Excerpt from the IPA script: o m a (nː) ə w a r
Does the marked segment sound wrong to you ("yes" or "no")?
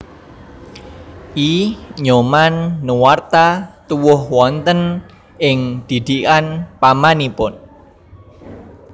no